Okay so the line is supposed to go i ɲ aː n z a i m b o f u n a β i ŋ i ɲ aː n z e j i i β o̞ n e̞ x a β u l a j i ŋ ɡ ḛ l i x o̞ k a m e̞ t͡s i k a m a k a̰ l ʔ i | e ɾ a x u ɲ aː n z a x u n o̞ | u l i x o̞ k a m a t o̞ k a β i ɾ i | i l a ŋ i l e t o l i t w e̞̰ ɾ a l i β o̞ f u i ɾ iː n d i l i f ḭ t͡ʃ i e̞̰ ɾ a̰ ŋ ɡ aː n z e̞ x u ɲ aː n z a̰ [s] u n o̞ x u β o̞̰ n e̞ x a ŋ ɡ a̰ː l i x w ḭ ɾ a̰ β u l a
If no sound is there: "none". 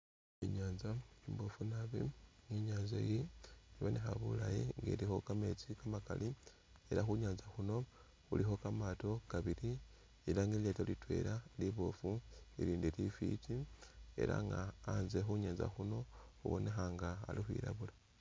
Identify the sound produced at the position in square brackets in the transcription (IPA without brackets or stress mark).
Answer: x